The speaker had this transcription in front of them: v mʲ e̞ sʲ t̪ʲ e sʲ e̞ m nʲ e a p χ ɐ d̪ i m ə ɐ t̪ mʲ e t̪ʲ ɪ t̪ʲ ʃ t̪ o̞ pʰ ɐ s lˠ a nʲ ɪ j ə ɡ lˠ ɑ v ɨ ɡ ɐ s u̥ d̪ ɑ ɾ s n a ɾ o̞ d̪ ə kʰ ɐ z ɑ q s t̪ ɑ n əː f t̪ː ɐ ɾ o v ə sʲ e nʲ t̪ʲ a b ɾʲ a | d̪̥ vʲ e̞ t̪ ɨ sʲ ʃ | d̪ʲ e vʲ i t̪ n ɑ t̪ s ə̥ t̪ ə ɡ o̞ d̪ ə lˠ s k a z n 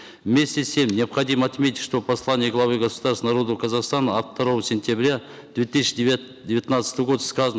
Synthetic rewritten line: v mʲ e̞ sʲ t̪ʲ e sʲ e̞ m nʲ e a p χ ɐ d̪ i m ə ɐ t̪ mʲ e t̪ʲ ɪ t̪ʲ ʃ t̪ o̞ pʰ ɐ s lˠ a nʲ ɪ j ə ɡ lˠ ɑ v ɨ ɡ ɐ s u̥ d̪ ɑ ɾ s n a ɾ o̞ d̪ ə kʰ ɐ z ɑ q s t̪ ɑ n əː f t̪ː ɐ ɾ o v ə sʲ e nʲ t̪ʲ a b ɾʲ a | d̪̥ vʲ e̞ t̪ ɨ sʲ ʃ | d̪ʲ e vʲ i t̪ n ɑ t̪ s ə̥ t̪ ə ɡ o̞ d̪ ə s k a z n